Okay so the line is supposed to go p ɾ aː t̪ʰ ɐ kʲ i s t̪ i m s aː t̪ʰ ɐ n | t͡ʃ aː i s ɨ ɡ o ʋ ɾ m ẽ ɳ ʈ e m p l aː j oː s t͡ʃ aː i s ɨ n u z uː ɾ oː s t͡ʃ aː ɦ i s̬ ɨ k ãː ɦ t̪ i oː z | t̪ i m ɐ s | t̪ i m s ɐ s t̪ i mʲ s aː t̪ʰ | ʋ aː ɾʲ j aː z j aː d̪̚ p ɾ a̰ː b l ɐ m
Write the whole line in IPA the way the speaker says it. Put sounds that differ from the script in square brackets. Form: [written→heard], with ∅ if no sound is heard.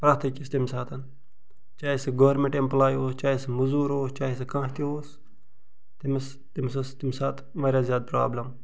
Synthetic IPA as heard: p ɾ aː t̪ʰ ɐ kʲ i s t̪ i m s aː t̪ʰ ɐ n | t͡ʃ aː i s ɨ ɡ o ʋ ɾ m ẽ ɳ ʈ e m p l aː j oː s t͡ʃ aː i s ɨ [n→m] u z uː ɾ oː s t͡ʃ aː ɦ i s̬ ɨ k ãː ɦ t̪ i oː [z→s] | t̪ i m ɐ s | t̪ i m s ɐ s t̪ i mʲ s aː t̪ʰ | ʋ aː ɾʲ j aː z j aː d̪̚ p ɾ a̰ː b l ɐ m